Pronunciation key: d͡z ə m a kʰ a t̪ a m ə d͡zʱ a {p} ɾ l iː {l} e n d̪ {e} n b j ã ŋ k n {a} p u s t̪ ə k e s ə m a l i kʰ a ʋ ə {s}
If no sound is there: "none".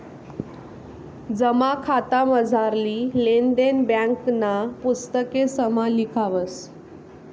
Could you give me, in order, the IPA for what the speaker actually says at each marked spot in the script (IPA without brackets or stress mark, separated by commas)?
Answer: none, l, e, a, s